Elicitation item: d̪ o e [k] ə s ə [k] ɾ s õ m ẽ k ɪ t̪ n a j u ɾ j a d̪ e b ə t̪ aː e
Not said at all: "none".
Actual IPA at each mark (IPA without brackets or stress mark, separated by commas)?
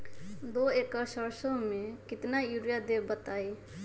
k, none